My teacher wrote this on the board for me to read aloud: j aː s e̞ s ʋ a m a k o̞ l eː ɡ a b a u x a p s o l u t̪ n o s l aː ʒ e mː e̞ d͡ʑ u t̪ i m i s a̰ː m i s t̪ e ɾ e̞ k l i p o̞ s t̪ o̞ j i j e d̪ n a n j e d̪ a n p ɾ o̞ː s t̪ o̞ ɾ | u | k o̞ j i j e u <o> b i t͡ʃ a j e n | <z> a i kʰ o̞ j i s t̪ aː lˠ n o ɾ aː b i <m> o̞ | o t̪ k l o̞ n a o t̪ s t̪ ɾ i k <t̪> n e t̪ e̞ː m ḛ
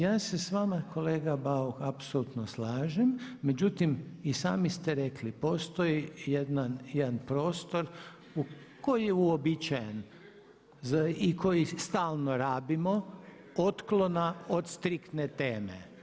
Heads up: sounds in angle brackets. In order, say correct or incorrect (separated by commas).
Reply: correct, correct, correct, correct